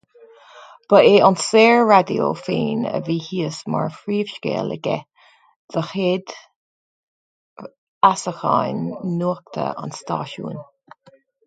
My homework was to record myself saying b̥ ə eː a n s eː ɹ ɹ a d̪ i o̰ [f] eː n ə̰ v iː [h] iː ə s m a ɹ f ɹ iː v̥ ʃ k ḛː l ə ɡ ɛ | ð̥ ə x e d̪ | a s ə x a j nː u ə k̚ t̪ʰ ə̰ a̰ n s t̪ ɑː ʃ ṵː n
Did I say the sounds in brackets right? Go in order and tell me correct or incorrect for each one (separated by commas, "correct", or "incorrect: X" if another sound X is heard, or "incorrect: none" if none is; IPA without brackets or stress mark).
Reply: correct, correct